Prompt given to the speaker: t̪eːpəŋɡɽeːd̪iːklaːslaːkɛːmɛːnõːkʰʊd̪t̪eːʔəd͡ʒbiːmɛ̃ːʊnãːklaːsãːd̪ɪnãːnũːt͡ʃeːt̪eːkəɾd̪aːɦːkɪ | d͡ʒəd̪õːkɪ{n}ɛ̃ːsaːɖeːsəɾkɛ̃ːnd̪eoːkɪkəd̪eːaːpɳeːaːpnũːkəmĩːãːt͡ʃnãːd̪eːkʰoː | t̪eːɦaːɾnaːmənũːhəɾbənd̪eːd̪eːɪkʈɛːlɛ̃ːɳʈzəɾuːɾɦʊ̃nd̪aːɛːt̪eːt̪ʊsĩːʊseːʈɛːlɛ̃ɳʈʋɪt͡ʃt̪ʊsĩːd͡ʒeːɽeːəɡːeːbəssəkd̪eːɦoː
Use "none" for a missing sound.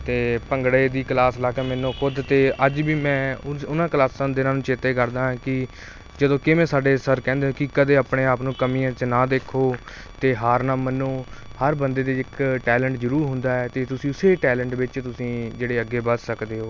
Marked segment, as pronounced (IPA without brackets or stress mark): m